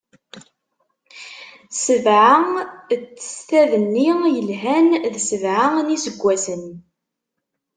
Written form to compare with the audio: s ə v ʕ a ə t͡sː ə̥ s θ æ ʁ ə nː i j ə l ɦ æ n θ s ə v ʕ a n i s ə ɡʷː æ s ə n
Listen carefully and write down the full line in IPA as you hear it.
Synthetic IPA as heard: s ə v ʕ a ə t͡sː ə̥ s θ æ ð ə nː i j ə l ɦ æ n ð s ə v ʕ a n i s ə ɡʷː æ s ə n